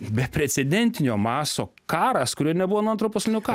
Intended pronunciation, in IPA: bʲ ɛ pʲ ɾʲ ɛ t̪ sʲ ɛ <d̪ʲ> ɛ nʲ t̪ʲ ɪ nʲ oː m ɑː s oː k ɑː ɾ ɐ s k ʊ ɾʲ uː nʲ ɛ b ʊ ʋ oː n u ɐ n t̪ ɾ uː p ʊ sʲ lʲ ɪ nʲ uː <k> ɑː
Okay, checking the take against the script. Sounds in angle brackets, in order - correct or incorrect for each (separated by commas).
correct, correct